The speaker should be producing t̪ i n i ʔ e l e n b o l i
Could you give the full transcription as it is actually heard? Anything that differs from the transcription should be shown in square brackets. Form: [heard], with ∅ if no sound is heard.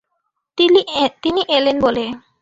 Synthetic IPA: t̪ i n i ʔ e l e n b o l [e]